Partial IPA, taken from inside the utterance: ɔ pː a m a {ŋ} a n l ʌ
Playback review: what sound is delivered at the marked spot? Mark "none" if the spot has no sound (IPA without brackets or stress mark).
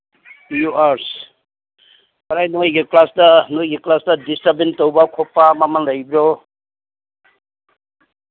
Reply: m